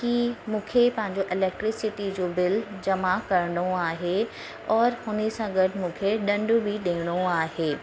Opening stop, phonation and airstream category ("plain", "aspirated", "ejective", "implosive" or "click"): plain